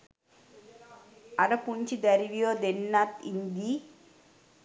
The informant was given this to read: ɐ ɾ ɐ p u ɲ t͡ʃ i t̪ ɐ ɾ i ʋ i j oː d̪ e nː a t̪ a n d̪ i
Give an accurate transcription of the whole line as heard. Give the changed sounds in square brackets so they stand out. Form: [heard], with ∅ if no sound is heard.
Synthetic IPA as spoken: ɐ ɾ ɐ p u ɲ t͡ʃ i [d̪] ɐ ɾ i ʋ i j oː d̪ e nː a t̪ [i] n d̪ i